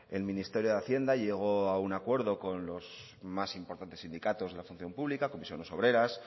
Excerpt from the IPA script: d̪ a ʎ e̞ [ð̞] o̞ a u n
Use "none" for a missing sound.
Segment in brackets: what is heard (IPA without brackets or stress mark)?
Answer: ɣ̞